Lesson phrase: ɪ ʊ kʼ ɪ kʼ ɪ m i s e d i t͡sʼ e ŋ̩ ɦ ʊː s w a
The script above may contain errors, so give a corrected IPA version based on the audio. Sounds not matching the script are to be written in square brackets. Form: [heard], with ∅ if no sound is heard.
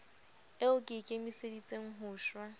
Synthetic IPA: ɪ ʊ kʼ ɪ kʼ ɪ m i s e d i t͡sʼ e ŋ̩ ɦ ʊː [ʃ] w a